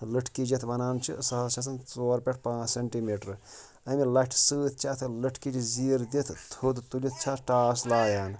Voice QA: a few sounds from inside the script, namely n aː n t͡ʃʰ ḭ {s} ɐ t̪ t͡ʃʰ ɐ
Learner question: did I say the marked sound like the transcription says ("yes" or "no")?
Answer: yes